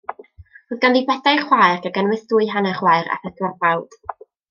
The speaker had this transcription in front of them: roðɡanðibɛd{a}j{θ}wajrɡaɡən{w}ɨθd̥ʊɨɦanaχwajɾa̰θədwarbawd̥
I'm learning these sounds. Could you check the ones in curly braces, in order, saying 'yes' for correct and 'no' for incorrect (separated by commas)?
yes, no, yes